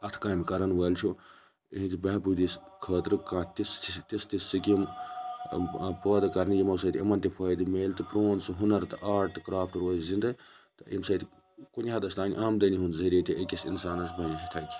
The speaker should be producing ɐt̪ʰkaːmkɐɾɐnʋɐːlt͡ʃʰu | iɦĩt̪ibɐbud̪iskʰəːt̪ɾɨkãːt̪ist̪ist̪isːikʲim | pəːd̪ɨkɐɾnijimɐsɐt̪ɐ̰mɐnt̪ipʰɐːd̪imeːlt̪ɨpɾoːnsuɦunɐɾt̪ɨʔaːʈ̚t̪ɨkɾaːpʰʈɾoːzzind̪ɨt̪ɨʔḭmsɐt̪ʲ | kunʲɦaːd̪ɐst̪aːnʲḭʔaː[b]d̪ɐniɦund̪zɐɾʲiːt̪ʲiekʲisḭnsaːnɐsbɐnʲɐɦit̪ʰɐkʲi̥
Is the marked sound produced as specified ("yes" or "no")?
no